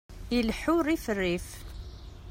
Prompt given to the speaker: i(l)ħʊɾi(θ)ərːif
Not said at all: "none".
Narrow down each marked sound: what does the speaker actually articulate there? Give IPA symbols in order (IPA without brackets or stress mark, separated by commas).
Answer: l, f